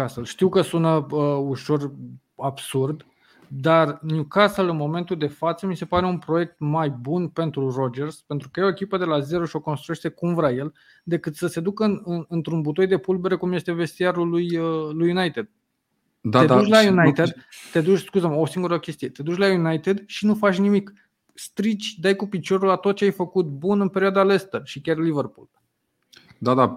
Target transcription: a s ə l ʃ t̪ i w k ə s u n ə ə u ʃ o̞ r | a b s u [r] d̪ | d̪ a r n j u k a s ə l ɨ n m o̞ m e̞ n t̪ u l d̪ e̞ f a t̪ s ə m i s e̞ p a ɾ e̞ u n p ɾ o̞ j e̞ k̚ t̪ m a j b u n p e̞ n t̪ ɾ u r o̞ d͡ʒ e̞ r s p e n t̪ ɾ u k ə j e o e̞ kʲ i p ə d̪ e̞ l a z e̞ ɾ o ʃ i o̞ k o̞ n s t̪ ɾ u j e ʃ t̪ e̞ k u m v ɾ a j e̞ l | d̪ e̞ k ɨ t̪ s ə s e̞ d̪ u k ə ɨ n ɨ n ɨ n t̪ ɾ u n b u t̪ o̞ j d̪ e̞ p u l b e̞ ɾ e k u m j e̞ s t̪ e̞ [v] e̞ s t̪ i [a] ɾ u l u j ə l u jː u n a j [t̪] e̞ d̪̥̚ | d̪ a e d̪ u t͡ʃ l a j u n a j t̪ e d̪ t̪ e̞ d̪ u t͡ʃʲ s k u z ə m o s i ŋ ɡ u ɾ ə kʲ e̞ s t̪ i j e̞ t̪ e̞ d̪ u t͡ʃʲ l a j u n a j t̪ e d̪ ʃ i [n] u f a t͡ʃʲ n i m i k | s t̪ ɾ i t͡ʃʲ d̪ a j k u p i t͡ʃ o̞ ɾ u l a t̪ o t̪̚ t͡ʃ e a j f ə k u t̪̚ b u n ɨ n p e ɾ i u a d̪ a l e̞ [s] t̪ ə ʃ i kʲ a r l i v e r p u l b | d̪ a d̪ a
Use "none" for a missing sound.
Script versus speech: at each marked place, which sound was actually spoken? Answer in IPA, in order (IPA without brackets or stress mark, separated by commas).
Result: r, v, a, t̪, n, s